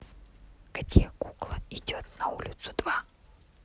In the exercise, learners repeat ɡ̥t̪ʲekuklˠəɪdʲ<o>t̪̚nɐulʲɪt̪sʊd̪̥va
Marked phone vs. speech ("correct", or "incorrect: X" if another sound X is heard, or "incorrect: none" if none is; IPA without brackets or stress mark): correct